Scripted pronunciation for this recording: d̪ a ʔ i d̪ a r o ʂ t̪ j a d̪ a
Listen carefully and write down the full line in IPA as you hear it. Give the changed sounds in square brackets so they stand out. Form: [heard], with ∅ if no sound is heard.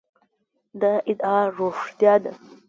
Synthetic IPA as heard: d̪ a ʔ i d̪ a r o ʂ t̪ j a d̪ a